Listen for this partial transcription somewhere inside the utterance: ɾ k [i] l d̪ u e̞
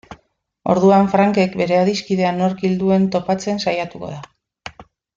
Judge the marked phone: correct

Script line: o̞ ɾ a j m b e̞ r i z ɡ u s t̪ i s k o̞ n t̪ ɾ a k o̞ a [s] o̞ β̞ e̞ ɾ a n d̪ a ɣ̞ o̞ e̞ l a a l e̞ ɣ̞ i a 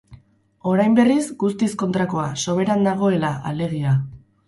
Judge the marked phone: correct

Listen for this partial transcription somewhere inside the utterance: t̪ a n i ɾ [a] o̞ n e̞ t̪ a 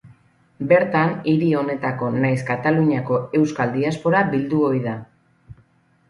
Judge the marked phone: incorrect: i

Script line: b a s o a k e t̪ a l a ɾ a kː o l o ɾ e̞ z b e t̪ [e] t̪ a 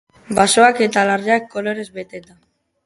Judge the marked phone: correct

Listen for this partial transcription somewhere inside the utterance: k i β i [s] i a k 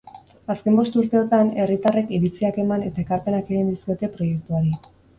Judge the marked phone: incorrect: t͡s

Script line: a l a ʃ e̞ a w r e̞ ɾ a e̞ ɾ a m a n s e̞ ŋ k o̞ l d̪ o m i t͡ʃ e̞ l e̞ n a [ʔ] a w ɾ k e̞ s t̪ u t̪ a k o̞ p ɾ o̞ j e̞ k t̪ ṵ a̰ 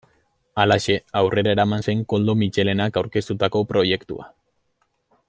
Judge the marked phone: incorrect: k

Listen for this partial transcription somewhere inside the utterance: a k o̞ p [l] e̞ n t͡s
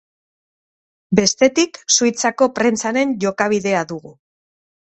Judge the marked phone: incorrect: ɾ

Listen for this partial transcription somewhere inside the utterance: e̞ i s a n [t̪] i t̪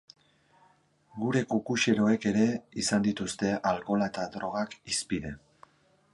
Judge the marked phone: incorrect: d̪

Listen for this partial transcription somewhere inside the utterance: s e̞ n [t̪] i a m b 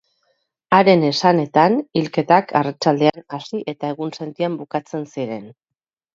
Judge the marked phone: correct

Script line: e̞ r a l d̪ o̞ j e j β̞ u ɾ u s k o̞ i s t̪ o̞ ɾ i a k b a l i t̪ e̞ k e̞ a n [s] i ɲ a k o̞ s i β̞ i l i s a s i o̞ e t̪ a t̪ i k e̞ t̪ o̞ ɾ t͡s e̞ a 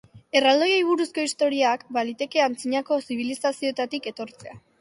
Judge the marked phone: incorrect: t͡s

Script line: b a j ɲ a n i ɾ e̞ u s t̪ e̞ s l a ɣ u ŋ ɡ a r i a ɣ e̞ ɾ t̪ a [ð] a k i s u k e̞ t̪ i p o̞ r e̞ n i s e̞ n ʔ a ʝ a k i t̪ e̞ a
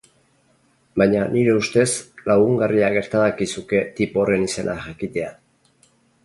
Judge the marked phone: correct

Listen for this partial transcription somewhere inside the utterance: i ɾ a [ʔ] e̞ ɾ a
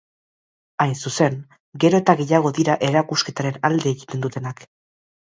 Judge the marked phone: correct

